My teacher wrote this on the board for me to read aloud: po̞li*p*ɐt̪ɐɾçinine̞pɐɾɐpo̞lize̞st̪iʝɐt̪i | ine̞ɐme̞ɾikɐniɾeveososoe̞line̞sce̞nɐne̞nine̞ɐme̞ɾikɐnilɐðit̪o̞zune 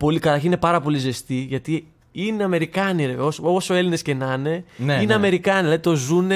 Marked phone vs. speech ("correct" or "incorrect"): incorrect